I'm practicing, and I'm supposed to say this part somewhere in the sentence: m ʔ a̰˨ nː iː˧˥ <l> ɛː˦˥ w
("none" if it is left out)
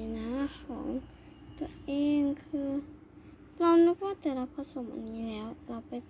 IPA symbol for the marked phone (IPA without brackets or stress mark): l